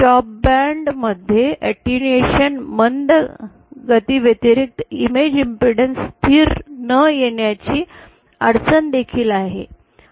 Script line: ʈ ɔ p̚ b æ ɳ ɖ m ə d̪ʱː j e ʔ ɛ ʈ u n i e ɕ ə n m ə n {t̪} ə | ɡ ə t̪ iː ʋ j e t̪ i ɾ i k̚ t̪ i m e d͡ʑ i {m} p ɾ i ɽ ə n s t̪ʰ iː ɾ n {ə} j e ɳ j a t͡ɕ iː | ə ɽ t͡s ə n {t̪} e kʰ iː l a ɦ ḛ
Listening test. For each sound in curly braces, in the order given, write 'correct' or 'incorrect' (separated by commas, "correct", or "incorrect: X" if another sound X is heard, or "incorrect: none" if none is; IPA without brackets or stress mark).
incorrect: d̪, correct, correct, incorrect: d̪